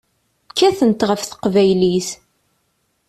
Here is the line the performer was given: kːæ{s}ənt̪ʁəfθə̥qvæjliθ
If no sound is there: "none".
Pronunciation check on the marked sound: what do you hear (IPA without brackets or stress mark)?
θ